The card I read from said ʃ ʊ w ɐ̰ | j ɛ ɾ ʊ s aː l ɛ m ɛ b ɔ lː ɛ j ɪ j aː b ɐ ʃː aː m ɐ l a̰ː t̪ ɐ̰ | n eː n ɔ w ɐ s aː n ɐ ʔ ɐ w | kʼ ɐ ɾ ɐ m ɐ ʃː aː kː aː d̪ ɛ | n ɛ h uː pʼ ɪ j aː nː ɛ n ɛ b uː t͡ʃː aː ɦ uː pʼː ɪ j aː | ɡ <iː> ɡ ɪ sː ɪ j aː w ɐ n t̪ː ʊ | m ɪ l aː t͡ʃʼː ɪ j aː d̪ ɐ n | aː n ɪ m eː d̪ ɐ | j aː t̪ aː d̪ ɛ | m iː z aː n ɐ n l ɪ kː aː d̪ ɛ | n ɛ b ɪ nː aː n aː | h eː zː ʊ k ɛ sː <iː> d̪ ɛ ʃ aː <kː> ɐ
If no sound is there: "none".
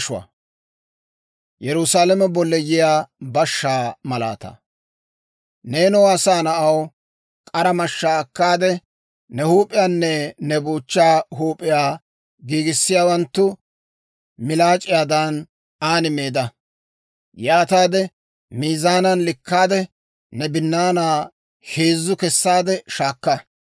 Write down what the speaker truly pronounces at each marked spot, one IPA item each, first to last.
iː, aː, kː

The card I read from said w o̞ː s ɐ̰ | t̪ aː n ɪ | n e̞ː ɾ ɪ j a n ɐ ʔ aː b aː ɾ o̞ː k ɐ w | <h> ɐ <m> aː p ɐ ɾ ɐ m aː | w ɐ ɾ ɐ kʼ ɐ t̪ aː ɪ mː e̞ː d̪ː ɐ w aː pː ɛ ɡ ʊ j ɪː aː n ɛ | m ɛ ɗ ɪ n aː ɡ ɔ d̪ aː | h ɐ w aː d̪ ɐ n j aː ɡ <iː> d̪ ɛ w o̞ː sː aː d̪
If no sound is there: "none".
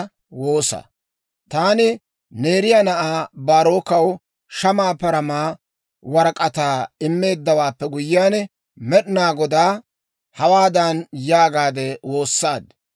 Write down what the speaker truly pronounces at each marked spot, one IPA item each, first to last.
ʃ, m, aː

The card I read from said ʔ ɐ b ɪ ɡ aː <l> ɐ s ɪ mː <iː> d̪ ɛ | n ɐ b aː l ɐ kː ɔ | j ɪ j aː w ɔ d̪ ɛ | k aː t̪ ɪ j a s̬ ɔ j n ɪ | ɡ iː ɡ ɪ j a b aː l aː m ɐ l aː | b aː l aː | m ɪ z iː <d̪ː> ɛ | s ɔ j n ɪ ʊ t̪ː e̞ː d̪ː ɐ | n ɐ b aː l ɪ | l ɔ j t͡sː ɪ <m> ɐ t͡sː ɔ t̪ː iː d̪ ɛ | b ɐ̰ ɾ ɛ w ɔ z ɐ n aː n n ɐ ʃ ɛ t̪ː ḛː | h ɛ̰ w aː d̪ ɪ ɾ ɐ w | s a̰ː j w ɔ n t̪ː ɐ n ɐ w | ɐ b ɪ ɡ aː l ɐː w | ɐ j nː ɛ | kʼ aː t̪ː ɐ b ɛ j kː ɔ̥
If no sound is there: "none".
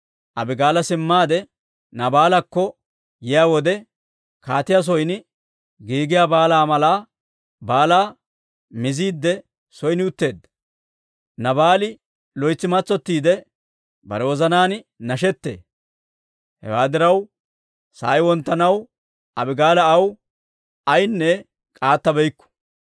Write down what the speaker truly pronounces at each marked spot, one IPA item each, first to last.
l, aː, d̪ː, m

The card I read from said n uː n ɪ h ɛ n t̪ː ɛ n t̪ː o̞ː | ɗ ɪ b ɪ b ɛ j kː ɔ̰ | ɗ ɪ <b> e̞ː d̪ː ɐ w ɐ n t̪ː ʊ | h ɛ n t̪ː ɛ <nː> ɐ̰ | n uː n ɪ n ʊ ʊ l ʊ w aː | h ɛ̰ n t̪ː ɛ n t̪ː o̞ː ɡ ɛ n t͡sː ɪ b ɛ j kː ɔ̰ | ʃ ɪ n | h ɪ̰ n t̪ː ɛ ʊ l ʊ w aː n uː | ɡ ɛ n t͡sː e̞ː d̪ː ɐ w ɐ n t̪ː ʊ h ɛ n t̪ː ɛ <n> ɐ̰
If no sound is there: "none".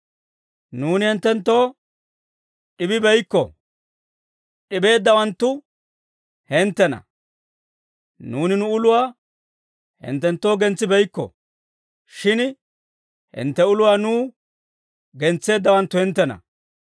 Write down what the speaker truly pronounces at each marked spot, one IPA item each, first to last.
b, n, n

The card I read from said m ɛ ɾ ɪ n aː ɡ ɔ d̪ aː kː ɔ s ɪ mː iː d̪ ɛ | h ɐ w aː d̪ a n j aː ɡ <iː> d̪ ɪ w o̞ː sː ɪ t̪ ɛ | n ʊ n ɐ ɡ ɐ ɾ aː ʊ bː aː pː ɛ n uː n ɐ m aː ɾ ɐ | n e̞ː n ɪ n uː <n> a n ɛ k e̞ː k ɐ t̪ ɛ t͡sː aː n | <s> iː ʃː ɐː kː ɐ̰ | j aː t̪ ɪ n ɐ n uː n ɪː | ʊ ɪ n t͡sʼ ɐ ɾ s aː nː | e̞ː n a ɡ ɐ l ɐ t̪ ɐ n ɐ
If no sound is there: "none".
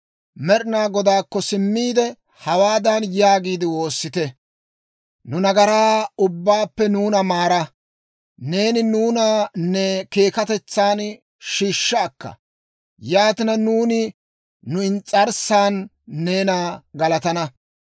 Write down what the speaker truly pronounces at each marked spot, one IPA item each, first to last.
iː, n, ʃ

